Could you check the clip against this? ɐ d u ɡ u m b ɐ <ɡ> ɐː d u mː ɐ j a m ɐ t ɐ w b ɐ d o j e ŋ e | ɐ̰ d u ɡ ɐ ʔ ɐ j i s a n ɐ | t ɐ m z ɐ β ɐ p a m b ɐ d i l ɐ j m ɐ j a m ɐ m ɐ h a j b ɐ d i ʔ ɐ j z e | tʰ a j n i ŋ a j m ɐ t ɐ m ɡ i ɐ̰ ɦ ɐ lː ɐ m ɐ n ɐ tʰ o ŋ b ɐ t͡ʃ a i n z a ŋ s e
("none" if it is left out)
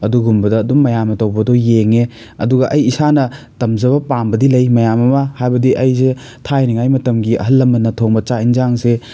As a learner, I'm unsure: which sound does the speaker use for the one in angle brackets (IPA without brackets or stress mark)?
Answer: d